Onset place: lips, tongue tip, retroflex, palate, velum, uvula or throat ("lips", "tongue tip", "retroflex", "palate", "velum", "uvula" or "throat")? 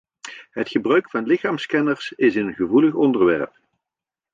throat